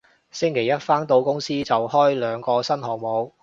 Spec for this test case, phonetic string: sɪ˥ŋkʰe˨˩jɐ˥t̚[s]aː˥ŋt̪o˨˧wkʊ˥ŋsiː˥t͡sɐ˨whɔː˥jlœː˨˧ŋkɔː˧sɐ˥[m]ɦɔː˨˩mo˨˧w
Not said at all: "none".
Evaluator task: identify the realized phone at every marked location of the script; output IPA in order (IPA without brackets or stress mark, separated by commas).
f, n